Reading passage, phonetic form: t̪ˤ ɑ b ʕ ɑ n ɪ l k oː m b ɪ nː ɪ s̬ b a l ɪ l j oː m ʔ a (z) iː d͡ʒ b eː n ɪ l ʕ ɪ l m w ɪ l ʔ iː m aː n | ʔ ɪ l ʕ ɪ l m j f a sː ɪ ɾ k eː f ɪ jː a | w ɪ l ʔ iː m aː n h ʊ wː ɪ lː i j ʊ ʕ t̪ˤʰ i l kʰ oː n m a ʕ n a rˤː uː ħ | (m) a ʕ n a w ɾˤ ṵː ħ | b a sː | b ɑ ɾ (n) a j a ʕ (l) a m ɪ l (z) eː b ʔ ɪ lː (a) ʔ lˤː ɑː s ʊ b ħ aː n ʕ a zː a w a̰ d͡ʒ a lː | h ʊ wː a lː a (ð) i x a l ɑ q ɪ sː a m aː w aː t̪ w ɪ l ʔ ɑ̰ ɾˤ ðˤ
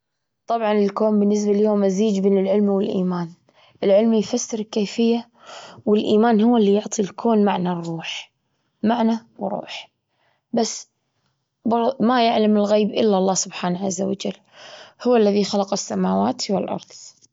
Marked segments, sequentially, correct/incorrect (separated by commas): correct, correct, incorrect, correct, incorrect, correct, correct